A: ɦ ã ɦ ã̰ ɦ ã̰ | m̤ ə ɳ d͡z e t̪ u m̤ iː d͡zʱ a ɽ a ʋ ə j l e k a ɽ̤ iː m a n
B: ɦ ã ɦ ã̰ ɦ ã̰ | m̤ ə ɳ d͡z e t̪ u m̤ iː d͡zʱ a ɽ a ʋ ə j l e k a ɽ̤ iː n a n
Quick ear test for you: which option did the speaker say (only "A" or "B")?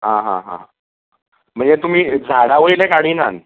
B